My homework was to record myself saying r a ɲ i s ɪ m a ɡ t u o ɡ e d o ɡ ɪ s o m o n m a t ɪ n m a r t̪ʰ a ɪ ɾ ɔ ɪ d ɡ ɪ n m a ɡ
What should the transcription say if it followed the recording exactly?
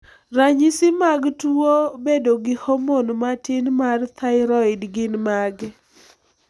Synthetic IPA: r a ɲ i s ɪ m a ɡ t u o b e d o ɡ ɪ h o m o n m a t ɪ n m a r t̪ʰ a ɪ ɾ ɔ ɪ d ɡ ɪ n m a ɡ